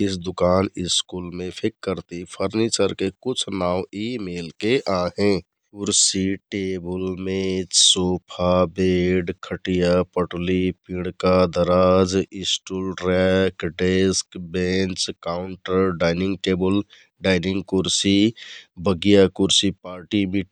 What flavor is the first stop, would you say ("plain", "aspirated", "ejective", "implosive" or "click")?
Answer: plain